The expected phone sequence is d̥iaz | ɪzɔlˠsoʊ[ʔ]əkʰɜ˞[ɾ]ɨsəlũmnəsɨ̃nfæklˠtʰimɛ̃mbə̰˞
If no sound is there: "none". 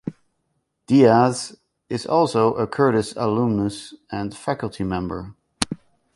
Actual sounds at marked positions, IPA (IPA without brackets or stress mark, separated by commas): ʔ, ɾ